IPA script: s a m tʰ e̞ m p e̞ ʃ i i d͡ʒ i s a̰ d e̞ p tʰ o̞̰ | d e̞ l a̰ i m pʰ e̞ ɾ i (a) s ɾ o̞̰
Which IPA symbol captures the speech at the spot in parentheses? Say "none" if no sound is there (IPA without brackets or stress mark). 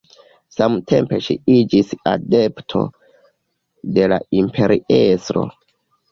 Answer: e